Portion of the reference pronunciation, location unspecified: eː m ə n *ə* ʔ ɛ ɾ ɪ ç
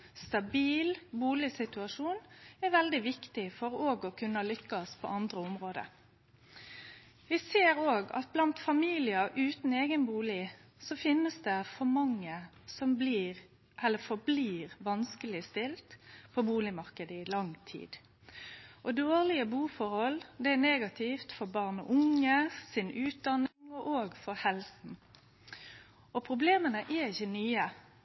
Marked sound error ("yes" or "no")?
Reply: no